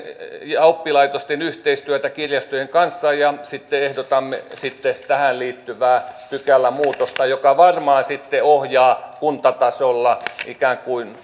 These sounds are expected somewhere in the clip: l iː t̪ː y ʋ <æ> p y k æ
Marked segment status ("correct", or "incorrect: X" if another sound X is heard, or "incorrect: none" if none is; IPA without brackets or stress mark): incorrect: æː